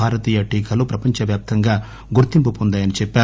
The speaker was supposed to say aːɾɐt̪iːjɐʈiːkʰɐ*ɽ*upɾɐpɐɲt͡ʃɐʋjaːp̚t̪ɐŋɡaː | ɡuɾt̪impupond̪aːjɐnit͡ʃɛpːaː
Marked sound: incorrect: l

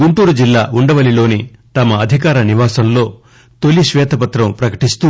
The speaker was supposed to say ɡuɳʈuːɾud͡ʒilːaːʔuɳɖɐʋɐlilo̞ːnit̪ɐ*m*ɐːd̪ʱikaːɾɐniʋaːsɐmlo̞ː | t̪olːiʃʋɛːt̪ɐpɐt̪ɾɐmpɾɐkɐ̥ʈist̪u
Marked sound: correct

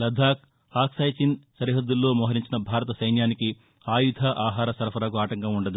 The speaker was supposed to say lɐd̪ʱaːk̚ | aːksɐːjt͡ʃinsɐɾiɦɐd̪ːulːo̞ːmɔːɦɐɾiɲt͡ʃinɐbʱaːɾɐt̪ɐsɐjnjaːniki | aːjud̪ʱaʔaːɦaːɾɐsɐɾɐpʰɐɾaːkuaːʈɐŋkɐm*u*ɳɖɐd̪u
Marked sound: correct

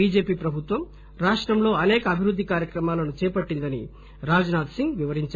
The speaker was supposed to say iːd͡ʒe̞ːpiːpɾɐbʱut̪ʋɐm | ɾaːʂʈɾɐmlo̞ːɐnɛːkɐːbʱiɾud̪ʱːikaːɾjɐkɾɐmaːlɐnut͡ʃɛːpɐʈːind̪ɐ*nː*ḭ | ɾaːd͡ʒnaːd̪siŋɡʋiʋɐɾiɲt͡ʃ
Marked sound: incorrect: n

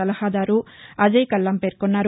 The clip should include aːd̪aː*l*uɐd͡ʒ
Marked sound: incorrect: ɾ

